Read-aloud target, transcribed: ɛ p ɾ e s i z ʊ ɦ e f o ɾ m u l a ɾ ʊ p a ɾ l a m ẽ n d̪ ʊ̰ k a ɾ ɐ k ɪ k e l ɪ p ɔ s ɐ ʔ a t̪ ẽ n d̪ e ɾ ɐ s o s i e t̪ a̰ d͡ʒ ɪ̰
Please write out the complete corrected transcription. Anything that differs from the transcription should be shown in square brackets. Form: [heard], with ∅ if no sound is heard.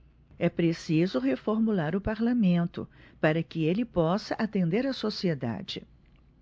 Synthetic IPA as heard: ɛ p ɾ e s i z ʊ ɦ e f o ɾ m u l a ɾ ʊ p a ɾ l a m ẽ n [t̪] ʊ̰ [p] a ɾ ɐ k ɪ [∅] e l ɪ p ɔ s ɐ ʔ a t̪ ẽ n d̪ e ɾ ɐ s o s i e [d̪] a̰ d͡ʒ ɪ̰